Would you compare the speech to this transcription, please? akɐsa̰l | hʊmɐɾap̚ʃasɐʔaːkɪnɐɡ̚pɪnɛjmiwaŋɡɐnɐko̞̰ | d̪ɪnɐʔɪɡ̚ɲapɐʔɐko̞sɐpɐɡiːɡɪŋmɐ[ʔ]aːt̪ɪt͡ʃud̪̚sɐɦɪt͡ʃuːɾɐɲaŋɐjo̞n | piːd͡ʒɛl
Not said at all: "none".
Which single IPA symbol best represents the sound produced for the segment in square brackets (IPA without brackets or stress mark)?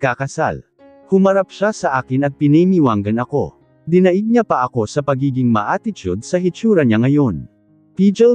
ʔ